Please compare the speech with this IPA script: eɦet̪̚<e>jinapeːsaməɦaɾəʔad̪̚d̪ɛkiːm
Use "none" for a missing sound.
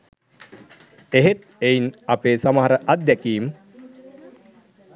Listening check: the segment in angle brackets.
e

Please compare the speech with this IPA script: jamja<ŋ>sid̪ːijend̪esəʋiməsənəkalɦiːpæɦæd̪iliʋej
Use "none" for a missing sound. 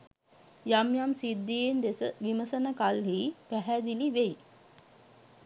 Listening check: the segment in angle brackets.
m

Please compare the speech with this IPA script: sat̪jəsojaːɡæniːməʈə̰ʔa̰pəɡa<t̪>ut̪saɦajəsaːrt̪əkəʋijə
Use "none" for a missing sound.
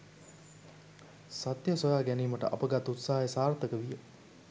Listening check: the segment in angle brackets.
t̪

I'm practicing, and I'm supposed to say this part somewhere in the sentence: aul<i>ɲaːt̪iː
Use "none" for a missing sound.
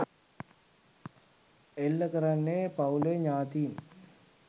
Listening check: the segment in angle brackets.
e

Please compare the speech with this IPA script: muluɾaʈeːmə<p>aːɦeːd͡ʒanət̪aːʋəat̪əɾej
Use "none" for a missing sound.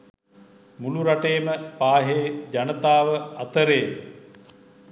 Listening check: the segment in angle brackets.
p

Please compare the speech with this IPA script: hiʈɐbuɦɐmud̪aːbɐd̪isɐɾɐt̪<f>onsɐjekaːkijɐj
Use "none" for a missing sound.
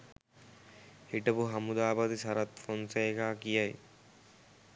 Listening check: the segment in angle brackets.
f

